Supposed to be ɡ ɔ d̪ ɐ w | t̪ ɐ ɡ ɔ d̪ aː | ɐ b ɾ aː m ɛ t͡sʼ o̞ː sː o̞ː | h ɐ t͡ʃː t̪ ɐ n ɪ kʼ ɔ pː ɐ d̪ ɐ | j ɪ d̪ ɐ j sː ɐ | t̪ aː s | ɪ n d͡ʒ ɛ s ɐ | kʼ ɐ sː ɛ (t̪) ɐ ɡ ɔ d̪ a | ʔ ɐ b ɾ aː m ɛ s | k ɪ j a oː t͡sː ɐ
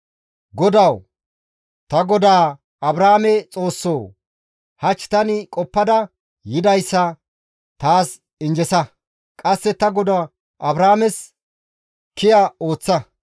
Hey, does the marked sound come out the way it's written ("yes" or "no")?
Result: yes